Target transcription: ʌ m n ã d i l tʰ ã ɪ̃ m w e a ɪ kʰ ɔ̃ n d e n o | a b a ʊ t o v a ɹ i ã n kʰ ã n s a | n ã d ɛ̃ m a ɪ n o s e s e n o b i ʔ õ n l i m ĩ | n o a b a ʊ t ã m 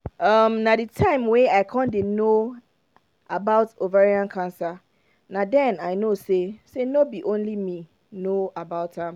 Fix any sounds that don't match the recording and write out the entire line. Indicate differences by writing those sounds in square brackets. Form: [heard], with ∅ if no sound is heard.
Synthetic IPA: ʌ m n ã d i [∅] tʰ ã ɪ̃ m w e a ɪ kʰ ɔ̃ n d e n o | a b a ʊ t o v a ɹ i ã n kʰ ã n s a | n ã d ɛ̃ [n] a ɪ n o s e s e n o b i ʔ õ n l i m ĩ | n o a b a ʊ t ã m